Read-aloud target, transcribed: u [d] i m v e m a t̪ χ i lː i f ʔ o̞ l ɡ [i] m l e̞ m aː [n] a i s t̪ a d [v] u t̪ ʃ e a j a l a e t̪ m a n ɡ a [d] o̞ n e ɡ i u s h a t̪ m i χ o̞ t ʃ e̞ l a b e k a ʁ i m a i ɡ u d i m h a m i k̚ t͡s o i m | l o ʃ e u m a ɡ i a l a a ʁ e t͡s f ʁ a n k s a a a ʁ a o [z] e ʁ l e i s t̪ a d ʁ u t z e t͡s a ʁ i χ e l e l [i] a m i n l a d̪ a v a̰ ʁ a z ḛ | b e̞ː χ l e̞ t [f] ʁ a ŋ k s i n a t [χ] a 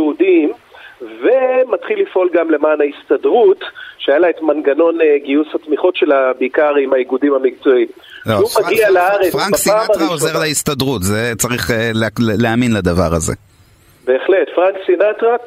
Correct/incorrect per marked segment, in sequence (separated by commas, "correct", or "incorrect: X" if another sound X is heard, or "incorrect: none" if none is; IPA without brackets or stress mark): correct, incorrect: a, correct, incorrect: ʁ, incorrect: n, correct, incorrect: e, correct, incorrect: ʁ